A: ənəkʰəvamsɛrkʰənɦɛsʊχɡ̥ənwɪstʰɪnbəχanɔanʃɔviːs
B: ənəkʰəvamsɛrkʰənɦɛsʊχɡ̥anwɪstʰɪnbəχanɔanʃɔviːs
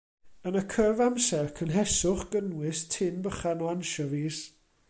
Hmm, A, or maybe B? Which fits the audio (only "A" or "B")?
A